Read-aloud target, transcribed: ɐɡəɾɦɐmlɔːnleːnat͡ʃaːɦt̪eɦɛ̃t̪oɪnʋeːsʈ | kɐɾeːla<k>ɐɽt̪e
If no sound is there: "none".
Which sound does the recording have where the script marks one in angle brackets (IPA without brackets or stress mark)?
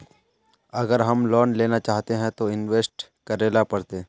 p